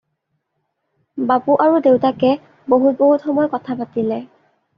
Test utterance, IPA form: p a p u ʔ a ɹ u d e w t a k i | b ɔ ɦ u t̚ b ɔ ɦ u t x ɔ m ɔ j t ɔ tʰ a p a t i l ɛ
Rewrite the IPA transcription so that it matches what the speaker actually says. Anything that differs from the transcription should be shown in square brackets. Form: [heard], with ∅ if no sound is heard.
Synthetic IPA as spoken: [b] a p u ʔ a ɹ u d e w t a k [ɛ] | b [o] ɦ u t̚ b [o] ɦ u t x ɔ m ɔ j [k] ɔ tʰ a p a t i l ɛ

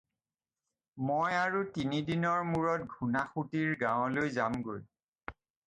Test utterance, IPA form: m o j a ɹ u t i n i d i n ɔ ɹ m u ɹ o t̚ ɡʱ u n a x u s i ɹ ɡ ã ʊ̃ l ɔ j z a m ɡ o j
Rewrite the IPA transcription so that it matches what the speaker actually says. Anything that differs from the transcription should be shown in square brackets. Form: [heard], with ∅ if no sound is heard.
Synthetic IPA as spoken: m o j a ɹ u t i n i d i n ɔ ɹ m u ɹ [ɔ] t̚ ɡʱ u n a x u [t] i ɹ ɡ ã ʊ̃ l [o] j z a m ɡ o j

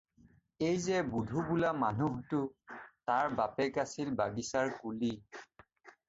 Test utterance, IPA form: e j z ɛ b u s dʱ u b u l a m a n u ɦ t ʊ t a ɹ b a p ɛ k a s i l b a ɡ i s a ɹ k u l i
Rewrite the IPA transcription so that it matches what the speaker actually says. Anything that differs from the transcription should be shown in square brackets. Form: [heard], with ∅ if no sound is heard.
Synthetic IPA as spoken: e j z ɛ b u [∅] dʱ u b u l a m a n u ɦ t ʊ t a ɹ b a p ɛ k a s i l b a ɡ i s a ɹ k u l i

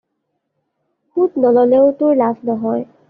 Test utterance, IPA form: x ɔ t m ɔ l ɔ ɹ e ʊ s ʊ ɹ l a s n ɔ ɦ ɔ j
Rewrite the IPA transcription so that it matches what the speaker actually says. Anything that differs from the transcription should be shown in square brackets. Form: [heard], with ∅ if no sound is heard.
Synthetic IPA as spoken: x [u] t [n] ɔ l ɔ [l] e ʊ [t] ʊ ɹ l a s n ɔ ɦ ɔ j

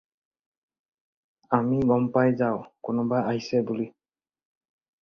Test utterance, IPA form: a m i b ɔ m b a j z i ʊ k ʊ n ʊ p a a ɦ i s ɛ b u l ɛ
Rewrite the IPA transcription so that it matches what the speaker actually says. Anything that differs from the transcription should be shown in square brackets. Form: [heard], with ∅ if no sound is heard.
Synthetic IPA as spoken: a m i [ɡ] ɔ m [p] a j z [a] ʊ k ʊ n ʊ [b] a a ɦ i s ɛ b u l [i]

